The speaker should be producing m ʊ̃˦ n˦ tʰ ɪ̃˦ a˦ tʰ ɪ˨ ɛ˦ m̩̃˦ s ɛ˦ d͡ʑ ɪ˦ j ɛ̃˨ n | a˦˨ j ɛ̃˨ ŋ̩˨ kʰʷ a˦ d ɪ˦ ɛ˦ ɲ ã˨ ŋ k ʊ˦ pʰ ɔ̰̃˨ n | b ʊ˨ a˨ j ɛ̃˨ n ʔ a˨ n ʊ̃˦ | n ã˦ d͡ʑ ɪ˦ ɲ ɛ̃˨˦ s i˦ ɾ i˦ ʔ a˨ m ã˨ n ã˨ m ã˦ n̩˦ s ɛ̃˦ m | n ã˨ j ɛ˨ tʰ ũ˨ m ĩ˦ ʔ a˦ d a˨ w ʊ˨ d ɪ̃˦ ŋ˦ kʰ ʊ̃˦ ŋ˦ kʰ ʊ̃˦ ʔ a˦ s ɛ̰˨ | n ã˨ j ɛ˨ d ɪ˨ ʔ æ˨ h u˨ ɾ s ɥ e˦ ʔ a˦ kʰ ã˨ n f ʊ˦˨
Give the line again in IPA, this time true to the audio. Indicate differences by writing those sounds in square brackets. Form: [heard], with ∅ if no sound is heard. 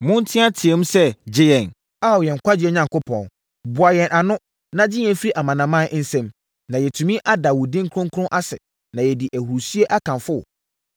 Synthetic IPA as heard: m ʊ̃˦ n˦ tʰ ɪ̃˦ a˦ tʰ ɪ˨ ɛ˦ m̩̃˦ s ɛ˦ d͡ʑ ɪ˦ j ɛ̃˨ n | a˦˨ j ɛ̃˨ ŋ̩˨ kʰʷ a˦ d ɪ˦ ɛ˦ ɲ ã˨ ŋ k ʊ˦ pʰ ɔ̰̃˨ n | b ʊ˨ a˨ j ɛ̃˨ n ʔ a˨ n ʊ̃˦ | n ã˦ d͡ʑ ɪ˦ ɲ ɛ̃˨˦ [f] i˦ ɾ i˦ ʔ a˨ m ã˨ n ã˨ m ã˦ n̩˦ s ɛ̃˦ m | n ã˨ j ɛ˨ tʰ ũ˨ m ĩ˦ ʔ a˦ d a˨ w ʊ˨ d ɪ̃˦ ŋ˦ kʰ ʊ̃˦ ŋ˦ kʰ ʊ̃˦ ʔ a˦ s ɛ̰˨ | n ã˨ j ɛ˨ d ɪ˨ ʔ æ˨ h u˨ ɾ s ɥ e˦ ʔ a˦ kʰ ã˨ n f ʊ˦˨